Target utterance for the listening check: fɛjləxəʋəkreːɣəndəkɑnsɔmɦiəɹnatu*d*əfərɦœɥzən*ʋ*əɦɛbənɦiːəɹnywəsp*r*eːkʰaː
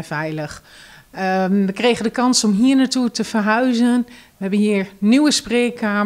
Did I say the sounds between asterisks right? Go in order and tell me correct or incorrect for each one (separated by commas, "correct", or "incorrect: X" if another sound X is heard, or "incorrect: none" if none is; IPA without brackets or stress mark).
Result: incorrect: t, correct, correct